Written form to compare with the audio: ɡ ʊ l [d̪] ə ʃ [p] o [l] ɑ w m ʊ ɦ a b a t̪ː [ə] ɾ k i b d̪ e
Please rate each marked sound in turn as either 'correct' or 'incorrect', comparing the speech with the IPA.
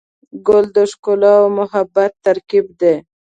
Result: correct, incorrect, correct, incorrect

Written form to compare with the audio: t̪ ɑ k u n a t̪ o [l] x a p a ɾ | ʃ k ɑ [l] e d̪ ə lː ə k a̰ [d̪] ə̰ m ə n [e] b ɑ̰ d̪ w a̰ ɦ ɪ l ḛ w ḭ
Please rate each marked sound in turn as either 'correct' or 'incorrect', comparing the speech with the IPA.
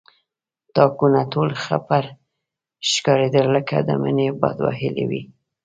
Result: correct, incorrect, correct, correct

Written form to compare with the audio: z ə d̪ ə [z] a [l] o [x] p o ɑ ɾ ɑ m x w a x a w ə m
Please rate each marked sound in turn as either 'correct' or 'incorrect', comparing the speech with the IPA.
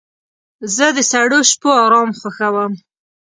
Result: incorrect, incorrect, incorrect

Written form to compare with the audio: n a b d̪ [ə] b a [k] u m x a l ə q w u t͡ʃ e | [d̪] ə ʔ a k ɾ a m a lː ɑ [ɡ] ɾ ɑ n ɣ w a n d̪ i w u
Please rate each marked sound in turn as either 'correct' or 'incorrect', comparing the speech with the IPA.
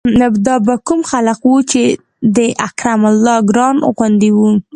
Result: incorrect, correct, correct, correct

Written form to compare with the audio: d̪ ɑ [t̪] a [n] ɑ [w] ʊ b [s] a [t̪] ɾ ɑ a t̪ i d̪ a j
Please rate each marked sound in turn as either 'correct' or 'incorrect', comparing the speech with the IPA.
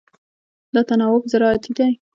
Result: correct, correct, correct, incorrect, incorrect

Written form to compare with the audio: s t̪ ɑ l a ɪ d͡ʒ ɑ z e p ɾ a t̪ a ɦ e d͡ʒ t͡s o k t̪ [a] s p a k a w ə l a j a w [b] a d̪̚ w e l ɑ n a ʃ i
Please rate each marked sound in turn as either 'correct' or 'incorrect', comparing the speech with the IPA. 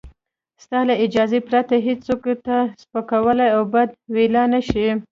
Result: correct, correct

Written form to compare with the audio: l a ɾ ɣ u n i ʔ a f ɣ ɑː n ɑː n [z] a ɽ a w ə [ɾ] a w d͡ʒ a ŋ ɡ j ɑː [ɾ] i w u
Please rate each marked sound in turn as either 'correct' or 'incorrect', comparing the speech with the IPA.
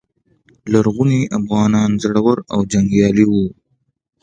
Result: correct, correct, incorrect

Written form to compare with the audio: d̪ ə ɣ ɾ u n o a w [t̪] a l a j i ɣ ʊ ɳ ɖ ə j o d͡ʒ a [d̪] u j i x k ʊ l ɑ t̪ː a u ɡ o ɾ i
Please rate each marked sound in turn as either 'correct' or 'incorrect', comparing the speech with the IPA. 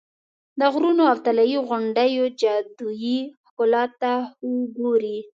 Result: correct, correct

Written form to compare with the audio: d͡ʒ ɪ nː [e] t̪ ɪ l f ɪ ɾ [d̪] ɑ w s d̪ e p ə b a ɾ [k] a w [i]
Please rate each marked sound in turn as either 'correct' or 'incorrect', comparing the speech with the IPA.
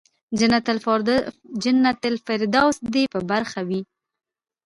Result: incorrect, correct, incorrect, correct

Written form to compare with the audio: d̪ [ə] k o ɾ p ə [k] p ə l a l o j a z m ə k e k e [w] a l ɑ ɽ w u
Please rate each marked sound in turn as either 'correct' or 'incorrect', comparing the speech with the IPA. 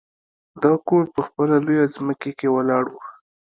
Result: incorrect, incorrect, correct

